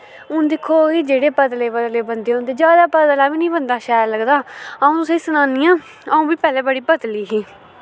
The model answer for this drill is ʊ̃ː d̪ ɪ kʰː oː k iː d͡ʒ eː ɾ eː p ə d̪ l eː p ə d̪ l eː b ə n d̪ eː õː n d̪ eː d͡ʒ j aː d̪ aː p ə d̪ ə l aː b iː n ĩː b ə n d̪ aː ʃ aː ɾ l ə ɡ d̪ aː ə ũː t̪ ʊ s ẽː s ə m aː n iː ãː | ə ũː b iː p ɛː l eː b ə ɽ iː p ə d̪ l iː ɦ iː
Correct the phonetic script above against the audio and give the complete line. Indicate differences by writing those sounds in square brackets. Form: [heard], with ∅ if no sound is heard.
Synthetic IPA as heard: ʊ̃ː d̪ ɪ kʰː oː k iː d͡ʒ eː [ɽ] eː p ə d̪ l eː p ə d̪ l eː b ə n d̪ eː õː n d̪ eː d͡ʒ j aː d̪ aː p ə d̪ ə l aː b iː n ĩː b ə n d̪ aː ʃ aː ɾ l ə ɡ d̪ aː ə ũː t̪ ʊ s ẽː s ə [n] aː n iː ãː | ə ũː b iː p ɛː l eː b ə ɽ iː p ə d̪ l iː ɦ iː